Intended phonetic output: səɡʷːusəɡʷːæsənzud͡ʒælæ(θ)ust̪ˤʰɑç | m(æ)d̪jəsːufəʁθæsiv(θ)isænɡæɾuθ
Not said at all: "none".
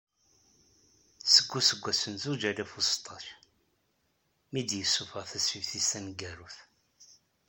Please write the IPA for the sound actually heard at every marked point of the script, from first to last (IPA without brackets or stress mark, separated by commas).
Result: f, i, θ